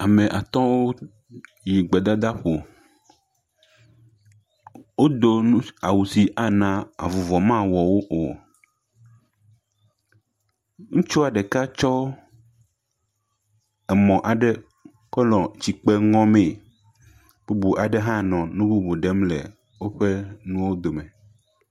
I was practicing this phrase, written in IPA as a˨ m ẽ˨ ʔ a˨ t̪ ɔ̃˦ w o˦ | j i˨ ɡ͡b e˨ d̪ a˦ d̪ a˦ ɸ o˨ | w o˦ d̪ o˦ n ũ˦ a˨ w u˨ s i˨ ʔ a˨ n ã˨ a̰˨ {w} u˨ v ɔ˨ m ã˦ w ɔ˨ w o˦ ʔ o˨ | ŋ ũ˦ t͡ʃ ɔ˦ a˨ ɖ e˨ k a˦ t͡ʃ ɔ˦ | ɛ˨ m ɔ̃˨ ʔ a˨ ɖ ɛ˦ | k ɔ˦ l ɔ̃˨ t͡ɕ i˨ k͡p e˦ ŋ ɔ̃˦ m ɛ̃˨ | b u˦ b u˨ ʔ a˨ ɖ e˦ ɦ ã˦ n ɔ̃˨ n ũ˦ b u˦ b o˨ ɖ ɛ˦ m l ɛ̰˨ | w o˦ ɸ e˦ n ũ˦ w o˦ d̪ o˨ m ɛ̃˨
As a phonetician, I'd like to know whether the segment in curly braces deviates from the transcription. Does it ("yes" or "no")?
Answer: yes